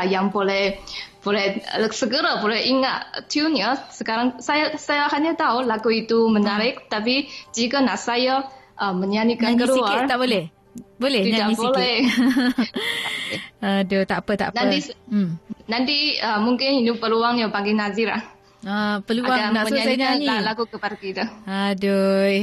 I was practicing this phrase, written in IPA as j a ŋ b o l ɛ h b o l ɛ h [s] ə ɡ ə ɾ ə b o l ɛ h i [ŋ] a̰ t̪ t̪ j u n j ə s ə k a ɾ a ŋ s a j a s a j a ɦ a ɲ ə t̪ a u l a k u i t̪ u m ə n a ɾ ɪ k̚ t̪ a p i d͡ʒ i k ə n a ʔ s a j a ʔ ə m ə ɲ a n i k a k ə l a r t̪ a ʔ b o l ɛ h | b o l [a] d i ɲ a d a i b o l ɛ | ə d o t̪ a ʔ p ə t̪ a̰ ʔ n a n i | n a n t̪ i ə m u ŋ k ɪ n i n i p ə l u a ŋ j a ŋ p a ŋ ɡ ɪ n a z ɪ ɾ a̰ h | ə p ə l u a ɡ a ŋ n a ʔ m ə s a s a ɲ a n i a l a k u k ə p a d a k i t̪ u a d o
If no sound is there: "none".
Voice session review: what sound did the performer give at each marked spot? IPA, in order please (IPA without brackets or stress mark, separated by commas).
s, ŋ, ɛ